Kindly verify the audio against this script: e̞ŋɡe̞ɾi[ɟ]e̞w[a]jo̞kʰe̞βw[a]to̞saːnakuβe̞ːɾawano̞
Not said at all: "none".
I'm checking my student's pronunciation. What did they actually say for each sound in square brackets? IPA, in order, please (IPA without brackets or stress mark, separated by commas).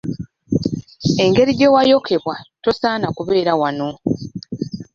ɟ, a, a